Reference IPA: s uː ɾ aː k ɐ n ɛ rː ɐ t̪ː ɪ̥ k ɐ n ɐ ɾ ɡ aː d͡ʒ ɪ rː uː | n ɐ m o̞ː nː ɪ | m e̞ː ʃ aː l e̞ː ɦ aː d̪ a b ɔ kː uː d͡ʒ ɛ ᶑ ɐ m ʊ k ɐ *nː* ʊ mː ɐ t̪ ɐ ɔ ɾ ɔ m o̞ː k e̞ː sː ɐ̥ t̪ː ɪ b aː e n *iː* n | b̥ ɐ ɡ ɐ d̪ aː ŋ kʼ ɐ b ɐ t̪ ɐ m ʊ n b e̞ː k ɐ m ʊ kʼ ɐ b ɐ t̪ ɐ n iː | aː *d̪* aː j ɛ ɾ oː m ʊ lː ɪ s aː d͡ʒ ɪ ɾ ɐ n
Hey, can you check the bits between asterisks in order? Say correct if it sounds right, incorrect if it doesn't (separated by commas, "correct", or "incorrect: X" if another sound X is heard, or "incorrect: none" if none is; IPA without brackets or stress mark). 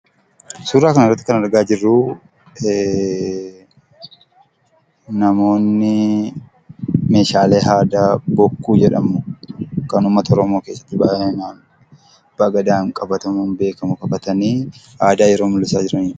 incorrect: n, incorrect: aː, correct